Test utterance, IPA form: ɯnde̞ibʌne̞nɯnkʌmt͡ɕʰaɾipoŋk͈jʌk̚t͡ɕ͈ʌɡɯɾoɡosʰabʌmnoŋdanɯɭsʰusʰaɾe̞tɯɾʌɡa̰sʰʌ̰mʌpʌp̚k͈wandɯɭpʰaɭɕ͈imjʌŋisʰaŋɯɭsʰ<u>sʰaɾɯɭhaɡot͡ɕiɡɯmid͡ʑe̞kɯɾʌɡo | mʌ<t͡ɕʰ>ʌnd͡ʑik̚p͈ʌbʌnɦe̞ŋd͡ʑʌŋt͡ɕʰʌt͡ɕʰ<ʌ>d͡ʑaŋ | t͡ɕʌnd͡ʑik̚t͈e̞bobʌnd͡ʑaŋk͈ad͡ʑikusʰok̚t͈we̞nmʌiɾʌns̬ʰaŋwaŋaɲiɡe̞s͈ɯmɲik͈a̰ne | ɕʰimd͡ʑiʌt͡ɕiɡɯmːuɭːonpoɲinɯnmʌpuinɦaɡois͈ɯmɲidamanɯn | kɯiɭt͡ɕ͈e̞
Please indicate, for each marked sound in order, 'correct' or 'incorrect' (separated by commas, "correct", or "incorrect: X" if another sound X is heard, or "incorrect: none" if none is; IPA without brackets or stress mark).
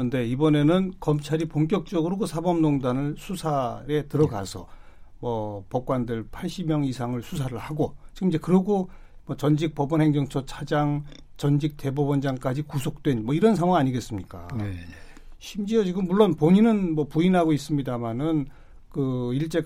correct, incorrect: t͡ɕ, incorrect: a